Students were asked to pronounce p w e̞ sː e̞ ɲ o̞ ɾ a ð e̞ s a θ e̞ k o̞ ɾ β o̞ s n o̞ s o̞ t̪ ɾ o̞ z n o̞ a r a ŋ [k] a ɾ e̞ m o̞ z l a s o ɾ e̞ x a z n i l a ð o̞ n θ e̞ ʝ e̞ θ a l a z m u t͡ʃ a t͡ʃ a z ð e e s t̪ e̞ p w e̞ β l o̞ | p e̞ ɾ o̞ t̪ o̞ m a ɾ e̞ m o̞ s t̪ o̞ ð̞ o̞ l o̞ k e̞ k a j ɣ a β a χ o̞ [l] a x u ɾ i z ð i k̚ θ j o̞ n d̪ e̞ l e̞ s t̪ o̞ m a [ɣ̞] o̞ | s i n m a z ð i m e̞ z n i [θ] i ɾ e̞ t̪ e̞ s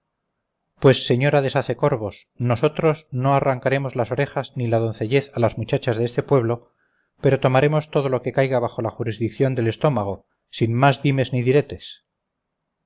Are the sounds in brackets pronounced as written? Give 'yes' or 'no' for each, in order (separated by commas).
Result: yes, yes, yes, no